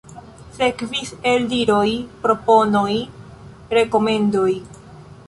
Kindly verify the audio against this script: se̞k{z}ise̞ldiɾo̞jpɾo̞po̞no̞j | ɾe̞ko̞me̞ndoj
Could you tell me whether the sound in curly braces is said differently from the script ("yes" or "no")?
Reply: yes